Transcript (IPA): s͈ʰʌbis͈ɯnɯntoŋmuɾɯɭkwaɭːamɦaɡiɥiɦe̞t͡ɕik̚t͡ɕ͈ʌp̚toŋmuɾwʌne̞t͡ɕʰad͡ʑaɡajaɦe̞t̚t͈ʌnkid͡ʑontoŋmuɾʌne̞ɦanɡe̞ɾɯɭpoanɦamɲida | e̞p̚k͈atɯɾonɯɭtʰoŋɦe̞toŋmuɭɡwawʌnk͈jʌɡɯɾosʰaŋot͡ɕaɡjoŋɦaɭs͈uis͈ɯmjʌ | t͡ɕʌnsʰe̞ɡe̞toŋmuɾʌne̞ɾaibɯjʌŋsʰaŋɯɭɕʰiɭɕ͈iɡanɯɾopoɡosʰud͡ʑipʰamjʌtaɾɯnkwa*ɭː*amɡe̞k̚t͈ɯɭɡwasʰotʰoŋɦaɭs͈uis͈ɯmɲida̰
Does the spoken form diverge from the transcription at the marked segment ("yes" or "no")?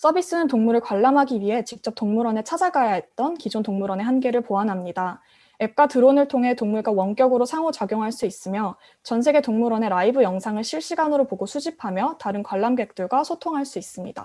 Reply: no